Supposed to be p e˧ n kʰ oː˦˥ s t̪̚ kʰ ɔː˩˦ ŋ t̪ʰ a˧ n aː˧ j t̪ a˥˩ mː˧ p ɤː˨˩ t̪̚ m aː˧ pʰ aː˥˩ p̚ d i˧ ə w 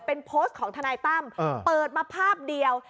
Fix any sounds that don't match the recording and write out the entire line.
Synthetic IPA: p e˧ n pʰ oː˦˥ s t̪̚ kʰ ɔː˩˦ ŋ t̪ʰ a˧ n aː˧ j t̪ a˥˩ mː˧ p ɤː˨˩ t̪̚ m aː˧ pʰ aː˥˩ p̚ d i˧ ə w